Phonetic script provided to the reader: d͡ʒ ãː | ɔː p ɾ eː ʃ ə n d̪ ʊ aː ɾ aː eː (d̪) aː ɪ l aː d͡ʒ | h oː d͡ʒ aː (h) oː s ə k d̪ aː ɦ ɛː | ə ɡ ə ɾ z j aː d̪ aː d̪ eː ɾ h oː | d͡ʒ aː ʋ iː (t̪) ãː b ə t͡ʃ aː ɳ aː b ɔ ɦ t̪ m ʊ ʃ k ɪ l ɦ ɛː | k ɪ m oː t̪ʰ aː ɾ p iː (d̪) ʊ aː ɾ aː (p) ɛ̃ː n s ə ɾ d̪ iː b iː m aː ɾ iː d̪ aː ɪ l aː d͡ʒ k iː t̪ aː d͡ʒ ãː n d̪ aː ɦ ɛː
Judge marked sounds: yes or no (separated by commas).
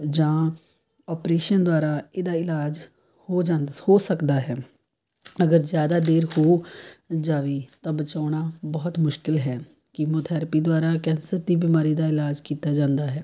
yes, yes, yes, yes, no